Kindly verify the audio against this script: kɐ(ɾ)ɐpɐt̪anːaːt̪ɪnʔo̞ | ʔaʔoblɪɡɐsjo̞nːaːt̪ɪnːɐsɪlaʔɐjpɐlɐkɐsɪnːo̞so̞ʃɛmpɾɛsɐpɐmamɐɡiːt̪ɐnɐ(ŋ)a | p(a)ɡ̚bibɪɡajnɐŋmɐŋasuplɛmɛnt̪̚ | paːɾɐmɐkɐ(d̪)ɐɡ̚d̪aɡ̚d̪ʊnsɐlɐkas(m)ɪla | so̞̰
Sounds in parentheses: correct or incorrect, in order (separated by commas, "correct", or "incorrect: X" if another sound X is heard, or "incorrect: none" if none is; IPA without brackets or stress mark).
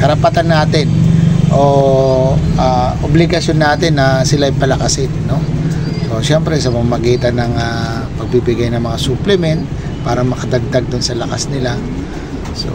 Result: correct, correct, incorrect: ɐ, correct, incorrect: n